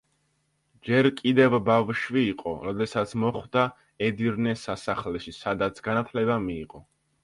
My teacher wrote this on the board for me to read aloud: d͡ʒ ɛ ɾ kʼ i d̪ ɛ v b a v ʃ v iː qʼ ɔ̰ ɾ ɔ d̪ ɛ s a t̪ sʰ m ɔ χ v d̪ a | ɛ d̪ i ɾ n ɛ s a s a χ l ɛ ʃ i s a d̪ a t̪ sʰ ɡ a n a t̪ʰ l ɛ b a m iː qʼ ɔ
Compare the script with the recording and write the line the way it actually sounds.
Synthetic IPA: d͡ʒ ɛ ɾ kʼ i d̪ ɛ v b a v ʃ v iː qʼ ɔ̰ ɾ ɔ d̪ ɛ s a t̪ sʰ m ɔ χ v d̪ a | ɛ d̪ i ɾ n ɛ s a s a χ l ɛ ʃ i s a d̪ a t̪ sʰ ɡ a n a t̪ʰ l ɛ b a m iː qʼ ɔ